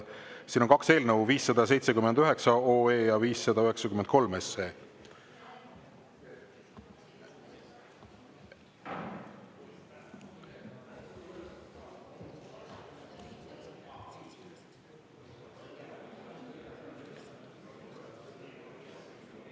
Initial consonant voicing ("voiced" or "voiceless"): voiceless